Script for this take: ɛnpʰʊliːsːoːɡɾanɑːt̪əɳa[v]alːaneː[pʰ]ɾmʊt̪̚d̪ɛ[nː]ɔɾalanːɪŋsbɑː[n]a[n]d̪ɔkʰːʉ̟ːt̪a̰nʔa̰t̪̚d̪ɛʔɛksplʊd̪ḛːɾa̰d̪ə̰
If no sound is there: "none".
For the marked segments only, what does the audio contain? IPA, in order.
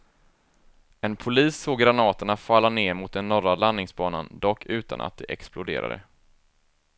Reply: f, none, nː, n, n

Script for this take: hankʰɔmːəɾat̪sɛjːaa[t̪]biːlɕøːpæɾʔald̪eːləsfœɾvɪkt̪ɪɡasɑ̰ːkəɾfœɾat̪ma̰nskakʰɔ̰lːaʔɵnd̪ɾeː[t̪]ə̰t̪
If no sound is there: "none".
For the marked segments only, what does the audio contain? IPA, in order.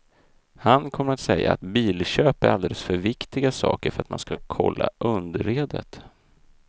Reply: t̪, d̪

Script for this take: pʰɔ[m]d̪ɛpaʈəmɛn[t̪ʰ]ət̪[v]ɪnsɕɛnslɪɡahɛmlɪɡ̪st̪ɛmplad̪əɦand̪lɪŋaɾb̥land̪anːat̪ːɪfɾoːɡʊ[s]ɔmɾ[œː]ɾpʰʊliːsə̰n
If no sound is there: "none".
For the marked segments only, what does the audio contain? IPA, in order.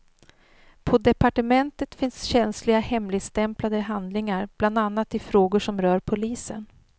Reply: none, t̪, f, ʂ, œː

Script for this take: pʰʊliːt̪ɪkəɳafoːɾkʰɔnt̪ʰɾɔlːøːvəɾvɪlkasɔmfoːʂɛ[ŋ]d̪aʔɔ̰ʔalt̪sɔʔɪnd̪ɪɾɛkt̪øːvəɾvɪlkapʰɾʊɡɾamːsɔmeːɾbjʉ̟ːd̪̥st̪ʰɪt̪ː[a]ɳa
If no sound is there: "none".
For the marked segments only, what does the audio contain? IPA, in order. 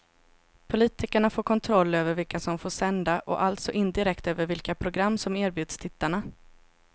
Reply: n, a

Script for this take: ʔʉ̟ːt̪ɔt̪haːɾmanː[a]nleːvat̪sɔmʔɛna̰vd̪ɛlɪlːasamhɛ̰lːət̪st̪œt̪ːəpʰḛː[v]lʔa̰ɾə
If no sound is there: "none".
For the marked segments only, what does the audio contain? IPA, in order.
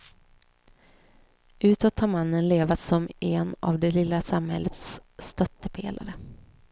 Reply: ə, none

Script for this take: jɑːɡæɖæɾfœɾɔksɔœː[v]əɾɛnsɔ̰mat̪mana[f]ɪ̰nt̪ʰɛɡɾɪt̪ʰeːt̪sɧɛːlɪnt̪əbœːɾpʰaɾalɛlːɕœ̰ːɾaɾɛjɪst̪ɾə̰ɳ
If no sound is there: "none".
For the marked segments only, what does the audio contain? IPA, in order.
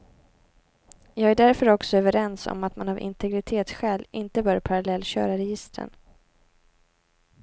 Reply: v, v

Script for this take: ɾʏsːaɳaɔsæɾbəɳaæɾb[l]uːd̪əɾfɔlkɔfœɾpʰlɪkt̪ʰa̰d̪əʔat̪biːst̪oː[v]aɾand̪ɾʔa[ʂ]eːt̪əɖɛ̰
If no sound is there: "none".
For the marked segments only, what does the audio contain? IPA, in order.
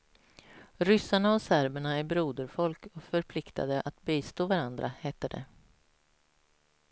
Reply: ɾ, v, h

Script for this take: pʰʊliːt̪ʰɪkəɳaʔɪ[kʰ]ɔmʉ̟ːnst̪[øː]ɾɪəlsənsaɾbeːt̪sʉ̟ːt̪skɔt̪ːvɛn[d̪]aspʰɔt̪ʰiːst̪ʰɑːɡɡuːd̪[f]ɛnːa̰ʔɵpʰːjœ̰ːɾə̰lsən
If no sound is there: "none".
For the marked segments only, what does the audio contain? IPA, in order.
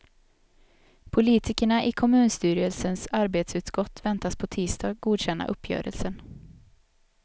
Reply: kʰ, yː, t̪, ɕ

